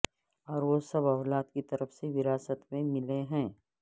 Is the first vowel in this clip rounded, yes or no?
yes